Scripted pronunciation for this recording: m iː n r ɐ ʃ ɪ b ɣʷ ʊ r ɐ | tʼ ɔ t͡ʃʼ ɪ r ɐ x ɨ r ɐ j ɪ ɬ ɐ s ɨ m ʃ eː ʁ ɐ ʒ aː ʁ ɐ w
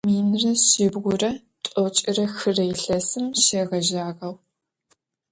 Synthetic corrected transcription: m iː n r ɐ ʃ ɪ b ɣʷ ʊ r ɐ | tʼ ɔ t͡ʃʼ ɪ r ɐ x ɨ r ɐ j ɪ ɬ ɐ s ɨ m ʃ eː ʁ ɐ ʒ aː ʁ ɐ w

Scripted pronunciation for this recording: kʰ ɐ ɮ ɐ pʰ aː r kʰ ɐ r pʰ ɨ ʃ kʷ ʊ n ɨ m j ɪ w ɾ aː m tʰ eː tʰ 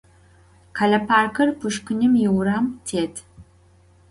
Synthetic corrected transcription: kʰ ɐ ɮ ɐ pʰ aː r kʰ ɐ r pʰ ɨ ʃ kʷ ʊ n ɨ m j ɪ w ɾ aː m tʰ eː tʰ

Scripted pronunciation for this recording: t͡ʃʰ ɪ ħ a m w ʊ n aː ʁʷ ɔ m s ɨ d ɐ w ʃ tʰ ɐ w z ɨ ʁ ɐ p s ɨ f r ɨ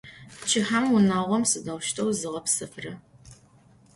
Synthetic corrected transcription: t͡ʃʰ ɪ ħ a m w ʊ n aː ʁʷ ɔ m s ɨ d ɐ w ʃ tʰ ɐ w z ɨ ʁ ɐ p s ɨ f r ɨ

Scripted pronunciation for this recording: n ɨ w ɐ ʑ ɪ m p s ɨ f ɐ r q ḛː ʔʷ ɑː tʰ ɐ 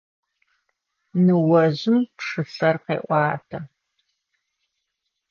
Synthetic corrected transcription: n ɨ w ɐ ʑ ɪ m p ʂ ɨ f ɐ r q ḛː ʔʷ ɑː tʰ ɐ

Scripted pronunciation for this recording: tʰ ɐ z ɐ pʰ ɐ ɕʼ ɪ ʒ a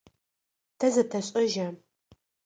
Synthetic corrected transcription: tʰ ɐ z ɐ tʰ ɐ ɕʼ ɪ ʒ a

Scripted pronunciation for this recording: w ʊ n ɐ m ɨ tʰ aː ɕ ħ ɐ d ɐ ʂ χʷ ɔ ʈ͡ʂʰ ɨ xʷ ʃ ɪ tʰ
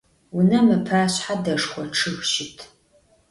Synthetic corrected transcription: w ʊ n ɐ m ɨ pʰ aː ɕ ħ a d ɐ ʂ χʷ ɔ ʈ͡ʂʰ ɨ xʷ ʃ ɪ tʰ

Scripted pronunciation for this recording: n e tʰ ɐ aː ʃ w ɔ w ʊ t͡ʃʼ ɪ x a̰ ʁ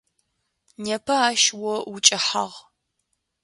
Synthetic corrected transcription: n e pʰ ɐ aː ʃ w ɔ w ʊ t͡ʃʼ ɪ ħ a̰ ʁ

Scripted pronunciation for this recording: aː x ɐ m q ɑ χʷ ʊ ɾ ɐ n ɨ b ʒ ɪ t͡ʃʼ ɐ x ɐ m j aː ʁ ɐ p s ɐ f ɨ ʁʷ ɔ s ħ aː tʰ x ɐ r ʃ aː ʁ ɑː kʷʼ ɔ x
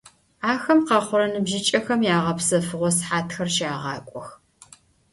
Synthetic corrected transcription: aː x ɐ m q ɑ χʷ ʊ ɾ ɐ n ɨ b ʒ ɪ t͡ʃʼ ɐ x ɐ m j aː ʁ ɐ p s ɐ f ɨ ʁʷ ɔ s ħ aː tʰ x ɐ r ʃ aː ʁ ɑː kʷʼ ɔ x

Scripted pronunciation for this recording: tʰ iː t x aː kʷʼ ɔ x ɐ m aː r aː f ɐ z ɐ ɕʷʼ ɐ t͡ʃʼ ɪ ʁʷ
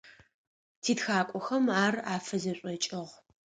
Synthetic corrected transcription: tʰ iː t x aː kʷʼ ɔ x ɐ m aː r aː f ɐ z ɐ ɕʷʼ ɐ t͡ʃʼ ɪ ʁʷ

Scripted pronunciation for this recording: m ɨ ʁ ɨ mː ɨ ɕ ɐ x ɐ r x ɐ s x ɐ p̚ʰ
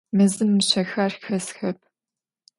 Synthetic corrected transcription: m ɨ z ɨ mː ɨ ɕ ɐ x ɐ r x ɐ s x ɐ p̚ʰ

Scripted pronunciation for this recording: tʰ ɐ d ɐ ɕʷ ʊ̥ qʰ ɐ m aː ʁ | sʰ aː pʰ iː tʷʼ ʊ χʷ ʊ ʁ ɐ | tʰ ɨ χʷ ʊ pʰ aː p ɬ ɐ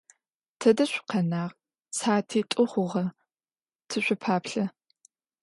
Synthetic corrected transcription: tʰ ɐ d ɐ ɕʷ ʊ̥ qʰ ɐ n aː ʁ | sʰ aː tʰ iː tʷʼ ʊ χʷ ʊ ʁ ɐ | tʰ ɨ ɕʷ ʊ pʰ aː p ɬ ɐ

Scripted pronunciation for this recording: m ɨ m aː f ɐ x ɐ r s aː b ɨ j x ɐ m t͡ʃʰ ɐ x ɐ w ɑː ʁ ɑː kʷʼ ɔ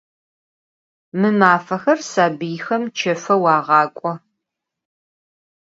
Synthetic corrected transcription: m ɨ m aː f ɐ x ɐ r s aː b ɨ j x ɐ m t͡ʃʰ ɐ f ɐ w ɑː ʁ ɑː kʷʼ ɔ

